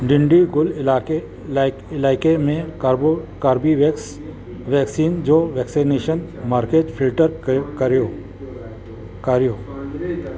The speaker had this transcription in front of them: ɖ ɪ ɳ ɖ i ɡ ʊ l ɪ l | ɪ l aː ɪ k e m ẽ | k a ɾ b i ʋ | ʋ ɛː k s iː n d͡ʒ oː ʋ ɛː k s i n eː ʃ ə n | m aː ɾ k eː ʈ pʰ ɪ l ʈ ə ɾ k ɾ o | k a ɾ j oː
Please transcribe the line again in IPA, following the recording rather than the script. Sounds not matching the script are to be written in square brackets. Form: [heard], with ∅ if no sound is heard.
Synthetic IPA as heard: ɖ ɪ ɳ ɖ i ɡ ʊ l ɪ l | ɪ l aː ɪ k e m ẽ | k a ɾ b i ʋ | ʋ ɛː k s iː n d͡ʒ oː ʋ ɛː k s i n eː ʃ ə n | m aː ɾ k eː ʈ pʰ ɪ l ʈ ə ɾ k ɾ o | k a ɾ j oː

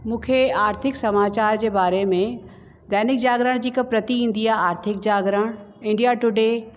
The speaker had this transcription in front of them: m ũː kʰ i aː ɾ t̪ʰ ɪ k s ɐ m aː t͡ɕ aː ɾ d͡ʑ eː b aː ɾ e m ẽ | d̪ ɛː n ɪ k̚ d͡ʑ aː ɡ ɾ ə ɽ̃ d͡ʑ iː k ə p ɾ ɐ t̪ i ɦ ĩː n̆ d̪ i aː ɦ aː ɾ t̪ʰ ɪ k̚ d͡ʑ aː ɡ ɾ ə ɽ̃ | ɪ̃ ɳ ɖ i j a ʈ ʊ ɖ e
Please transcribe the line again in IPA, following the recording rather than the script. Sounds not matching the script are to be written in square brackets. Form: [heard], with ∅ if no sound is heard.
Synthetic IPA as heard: m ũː kʰ [e] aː ɾ t̪ʰ ɪ k s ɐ m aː t͡ɕ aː ɾ d͡ʑ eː b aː ɾ e m ẽ | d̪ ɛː n ɪ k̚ d͡ʑ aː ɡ ɾ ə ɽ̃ d͡ʑ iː k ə p ɾ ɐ t̪ i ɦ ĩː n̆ d̪ i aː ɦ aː ɾ t̪ʰ ɪ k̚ d͡ʑ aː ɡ ɾ ə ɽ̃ | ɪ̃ ɳ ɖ i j a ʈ ʊ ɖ e

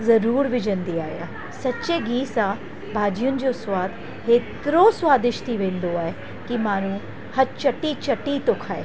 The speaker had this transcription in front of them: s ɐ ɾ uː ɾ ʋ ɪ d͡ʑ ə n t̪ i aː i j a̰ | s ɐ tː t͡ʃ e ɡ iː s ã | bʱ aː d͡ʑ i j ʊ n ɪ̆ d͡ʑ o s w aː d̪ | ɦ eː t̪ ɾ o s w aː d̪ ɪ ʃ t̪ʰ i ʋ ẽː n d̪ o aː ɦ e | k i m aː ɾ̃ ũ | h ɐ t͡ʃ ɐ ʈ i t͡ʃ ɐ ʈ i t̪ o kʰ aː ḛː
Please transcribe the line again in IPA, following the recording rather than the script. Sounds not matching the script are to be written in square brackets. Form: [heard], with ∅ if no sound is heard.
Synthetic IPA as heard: [z] ɐ ɾ uː ɾ ʋ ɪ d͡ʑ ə n [d̪] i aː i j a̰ | s ɐ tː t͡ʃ e ɡ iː s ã | bʱ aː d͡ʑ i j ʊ n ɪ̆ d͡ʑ o s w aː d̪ | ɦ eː t̪ ɾ o s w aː d̪ ɪ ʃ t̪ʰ i ʋ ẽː n d̪ o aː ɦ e | k i m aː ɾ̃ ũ | h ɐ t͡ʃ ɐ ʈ i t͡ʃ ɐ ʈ i t̪ o kʰ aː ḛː

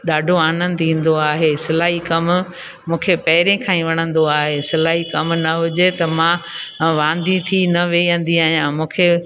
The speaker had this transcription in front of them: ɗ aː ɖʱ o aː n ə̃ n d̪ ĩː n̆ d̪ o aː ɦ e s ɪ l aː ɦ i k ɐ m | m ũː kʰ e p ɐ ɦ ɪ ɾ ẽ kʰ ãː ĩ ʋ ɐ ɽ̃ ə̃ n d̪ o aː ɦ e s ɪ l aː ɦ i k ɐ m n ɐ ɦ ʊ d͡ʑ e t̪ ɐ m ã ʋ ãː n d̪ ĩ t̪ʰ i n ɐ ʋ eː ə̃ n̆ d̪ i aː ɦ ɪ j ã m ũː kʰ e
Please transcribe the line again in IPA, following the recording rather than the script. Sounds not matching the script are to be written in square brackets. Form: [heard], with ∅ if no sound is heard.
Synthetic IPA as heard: ɗ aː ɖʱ o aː n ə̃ n d̪ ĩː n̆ d̪ o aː ɦ e s ɪ l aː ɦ i k ɐ m | m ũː kʰ e p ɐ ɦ ɪ ɾ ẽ kʰ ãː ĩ ʋ ɐ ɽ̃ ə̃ n d̪ o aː ɦ e s ɪ l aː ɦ i k ɐ m n ɐ ɦ ʊ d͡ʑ e t̪ ɐ m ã ʋ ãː n d̪ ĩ t̪ʰ i n ɐ ʋ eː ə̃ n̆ d̪ i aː ɦ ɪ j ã m ũː kʰ e

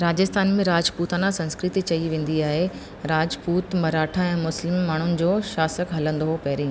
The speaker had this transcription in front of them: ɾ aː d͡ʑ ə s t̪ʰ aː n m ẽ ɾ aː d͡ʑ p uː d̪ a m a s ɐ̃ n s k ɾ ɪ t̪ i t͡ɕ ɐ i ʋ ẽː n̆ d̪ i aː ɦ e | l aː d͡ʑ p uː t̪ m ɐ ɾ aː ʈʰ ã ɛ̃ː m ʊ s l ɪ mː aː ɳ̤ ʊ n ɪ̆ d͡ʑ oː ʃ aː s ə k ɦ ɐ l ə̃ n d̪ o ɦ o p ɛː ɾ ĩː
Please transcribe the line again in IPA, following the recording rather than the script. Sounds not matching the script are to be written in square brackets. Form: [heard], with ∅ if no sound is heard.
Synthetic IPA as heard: ɾ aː d͡ʑ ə s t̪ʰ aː n m ẽ ɾ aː d͡ʑ p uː [t̪] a [n] a s ɐ̃ n s k ɾ ɪ t̪ i t͡ɕ ɐ i ʋ ẽː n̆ d̪ i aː ɦ e | [ɾ] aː d͡ʑ p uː t̪ m ɐ ɾ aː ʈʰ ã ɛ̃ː m ʊ s l ɪ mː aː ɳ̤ ʊ n ɪ̆ d͡ʑ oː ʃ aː s ə k ɦ ɐ l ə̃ n d̪ o ɦ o p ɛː ɾ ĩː

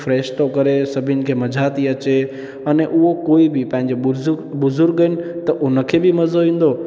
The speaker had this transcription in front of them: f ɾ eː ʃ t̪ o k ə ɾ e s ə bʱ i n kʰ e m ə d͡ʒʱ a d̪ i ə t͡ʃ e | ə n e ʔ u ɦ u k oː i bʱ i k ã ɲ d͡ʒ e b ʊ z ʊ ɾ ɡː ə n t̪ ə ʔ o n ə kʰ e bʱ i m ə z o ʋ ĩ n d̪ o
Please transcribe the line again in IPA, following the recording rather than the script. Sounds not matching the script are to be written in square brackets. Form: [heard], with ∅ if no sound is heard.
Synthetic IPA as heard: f ɾ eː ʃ t̪ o k ə ɾ e s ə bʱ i n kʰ e m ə d͡ʒʱ a [t̪] i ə t͡ʃ e | ə n e ʔ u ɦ [o] k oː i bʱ i [p] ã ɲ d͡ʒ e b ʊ z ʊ ɾ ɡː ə n t̪ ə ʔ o n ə kʰ e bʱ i m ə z o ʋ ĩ n d̪ o

